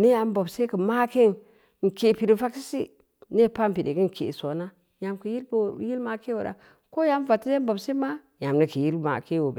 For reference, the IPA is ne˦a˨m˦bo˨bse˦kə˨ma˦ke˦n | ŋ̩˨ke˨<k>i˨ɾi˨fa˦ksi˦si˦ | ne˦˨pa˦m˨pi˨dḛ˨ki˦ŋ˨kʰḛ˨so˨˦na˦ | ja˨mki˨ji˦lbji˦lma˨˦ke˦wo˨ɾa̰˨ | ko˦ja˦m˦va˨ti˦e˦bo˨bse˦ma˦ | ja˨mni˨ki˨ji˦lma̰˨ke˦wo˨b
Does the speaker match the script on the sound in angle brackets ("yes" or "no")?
no